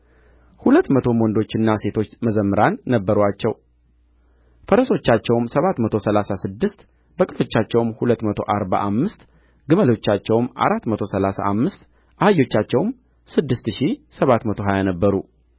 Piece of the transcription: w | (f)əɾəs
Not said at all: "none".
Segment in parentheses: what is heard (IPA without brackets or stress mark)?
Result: f